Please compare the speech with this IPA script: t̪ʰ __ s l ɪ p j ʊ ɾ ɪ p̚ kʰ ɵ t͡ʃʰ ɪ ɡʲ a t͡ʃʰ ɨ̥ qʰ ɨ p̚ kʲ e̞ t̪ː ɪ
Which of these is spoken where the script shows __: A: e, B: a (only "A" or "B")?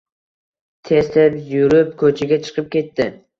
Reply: A